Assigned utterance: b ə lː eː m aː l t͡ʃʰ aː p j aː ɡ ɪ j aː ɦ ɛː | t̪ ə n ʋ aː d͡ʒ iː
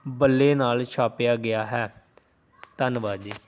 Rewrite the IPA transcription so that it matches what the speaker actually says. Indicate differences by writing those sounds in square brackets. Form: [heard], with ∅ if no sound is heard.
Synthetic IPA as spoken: b ə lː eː [n] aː l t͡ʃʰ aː p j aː ɡ ɪ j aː ɦ ɛː | t̪ ə n ʋ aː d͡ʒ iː